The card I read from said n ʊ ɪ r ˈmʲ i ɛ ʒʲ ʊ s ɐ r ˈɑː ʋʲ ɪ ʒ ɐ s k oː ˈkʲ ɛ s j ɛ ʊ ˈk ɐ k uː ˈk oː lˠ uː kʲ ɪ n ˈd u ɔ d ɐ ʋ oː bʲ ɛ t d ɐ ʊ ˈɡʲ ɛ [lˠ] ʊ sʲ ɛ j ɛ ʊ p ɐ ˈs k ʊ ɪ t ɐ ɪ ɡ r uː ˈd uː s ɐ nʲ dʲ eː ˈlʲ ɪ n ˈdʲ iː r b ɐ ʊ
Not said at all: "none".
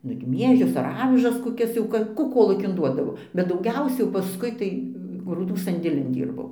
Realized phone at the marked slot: none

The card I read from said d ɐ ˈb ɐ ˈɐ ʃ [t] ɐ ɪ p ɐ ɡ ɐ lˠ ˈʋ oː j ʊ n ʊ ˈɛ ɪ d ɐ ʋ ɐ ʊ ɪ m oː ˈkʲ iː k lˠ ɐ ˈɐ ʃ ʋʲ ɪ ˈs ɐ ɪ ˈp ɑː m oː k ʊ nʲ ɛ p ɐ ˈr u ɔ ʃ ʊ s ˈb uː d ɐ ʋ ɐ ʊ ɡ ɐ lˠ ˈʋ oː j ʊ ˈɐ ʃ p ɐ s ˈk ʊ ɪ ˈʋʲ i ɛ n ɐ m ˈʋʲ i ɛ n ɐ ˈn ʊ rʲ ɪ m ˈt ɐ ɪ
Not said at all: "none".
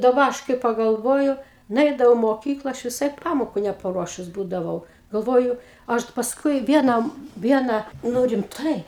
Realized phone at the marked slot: k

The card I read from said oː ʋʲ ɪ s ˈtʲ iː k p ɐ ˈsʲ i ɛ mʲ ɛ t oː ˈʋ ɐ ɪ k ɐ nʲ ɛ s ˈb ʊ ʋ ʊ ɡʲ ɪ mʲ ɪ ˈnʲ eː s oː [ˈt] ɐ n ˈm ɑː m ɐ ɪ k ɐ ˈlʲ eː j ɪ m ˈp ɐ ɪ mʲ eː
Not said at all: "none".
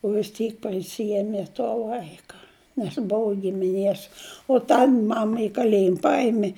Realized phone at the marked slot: t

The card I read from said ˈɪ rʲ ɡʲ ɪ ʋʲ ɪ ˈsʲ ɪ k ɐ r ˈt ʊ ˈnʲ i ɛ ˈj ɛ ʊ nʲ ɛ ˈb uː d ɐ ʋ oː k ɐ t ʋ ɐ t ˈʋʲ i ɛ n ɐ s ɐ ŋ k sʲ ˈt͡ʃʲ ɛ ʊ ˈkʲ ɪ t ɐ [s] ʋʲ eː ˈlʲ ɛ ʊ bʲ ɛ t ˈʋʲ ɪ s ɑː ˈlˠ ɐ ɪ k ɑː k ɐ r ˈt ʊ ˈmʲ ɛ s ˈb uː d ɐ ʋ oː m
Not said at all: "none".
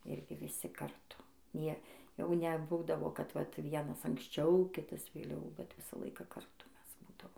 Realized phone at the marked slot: s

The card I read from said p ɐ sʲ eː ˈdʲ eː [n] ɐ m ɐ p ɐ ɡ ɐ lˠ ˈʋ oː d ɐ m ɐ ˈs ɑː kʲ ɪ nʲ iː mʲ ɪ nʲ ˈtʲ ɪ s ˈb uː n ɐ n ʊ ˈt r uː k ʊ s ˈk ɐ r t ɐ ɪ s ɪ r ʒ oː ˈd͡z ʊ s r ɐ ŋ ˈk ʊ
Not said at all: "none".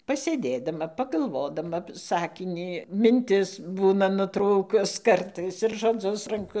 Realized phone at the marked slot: d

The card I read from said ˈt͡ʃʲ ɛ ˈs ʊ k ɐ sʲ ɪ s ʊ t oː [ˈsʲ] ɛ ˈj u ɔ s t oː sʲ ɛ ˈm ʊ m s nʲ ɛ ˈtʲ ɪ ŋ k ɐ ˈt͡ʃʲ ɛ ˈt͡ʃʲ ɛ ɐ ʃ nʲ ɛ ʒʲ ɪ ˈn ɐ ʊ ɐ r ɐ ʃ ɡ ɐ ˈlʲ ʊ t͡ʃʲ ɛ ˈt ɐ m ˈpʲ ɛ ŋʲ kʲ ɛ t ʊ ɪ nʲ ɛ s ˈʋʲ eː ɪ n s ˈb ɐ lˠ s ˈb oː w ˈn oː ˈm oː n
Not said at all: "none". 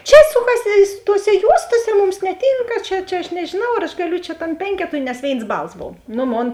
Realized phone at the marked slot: sʲ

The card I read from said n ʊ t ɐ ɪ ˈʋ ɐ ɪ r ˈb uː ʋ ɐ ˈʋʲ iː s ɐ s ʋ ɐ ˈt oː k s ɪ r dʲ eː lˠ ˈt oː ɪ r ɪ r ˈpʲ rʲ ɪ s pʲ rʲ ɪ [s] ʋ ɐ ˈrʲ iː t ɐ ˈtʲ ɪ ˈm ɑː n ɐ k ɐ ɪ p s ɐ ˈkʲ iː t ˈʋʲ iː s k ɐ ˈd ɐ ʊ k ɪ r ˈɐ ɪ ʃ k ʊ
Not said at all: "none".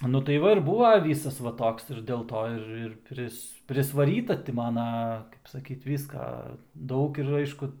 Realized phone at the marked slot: s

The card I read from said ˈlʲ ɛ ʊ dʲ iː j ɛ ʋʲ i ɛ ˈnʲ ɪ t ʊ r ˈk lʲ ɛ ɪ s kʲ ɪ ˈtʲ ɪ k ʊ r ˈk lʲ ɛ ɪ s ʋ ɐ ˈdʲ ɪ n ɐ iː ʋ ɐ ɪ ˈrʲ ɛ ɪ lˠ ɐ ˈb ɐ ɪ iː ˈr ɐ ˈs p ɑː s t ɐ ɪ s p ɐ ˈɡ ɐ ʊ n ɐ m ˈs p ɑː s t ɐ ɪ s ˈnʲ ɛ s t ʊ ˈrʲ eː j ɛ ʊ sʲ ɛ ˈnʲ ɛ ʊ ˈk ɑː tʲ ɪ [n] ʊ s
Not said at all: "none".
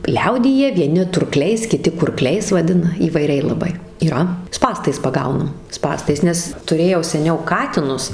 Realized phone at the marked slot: n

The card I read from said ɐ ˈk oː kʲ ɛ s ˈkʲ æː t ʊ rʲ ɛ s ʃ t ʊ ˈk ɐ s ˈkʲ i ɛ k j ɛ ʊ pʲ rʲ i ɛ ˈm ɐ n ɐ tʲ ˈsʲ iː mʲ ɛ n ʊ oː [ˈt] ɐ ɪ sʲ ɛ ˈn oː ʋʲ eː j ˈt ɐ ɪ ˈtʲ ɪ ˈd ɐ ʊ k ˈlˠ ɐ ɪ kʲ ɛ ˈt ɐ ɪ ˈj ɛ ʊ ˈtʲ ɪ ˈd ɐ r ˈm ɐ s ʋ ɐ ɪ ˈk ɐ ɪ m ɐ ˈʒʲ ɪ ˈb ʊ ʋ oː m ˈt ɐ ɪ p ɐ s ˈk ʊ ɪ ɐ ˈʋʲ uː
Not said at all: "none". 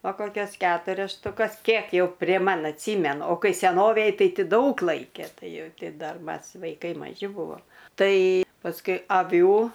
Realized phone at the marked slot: k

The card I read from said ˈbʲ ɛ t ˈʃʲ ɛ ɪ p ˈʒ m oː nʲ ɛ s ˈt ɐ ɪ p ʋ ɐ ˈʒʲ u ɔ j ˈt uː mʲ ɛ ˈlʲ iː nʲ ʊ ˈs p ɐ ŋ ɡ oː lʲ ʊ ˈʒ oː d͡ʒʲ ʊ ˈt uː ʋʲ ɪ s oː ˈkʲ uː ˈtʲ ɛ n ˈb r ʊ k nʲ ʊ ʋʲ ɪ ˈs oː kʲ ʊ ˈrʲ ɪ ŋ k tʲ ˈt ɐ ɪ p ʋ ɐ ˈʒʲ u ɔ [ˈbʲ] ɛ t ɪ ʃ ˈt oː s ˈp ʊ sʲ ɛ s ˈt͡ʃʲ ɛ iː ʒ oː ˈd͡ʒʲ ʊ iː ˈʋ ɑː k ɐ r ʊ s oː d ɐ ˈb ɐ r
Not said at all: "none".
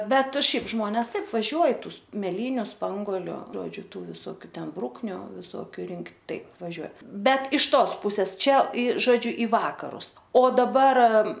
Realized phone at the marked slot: bʲ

